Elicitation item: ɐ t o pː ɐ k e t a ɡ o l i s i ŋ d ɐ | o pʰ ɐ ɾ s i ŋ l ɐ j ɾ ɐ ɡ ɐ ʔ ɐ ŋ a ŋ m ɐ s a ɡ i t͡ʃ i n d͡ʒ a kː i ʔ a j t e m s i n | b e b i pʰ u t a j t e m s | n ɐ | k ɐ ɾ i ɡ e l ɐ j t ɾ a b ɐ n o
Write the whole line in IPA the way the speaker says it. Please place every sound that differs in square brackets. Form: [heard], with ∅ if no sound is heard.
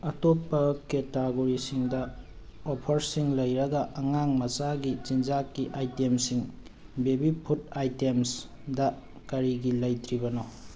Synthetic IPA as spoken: ɐ t o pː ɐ k e t a ɡ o [ɾ] i s i ŋ d ɐ | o pʰ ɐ ɾ s i ŋ l ɐ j ɾ ɐ ɡ ɐ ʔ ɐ ŋ a ŋ m ɐ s a ɡ i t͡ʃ i n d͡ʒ a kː i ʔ a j t e m s i [ŋ] | b e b i pʰ u t a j t e m s | [d] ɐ | k ɐ ɾ i ɡ [i] l ɐ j t ɾ [i] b ɐ n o